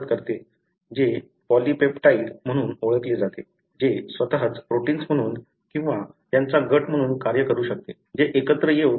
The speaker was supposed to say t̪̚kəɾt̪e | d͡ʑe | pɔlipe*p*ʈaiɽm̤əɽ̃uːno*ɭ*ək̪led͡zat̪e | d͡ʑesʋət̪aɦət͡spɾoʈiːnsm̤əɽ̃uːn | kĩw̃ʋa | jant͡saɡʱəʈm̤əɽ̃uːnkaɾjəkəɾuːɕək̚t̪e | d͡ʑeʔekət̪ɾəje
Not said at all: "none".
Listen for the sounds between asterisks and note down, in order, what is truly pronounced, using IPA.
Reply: p, ɭ

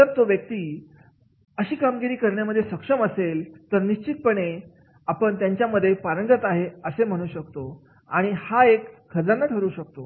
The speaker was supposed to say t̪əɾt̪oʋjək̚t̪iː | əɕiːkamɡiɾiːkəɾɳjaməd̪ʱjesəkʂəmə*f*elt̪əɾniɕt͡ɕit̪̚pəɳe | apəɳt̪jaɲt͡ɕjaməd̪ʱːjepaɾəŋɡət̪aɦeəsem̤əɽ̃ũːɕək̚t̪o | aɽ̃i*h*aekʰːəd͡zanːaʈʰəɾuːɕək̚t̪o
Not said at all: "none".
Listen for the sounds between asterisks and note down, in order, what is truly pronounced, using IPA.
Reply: s, h

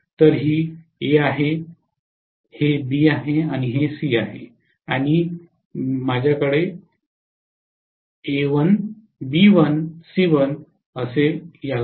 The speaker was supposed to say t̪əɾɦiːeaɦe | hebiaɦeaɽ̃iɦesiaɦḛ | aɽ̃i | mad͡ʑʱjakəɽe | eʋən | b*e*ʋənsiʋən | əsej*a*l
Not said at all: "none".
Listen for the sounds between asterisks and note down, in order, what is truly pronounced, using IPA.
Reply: i, a

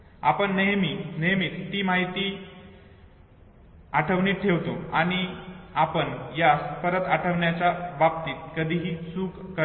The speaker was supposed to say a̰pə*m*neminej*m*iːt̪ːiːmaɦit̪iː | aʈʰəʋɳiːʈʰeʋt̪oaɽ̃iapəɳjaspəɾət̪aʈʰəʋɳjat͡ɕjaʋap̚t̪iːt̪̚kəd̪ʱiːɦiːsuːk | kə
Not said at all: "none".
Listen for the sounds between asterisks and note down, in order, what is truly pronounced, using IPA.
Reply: ɳ, m

